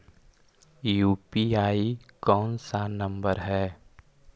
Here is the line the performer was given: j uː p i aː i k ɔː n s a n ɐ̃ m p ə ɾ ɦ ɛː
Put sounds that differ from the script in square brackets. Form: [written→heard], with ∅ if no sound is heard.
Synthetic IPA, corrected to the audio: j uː p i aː i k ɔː n s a n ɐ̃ m [p→b] ə ɾ ɦ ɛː